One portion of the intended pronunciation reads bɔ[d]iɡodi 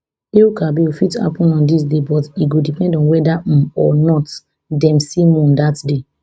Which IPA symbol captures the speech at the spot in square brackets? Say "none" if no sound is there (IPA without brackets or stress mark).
t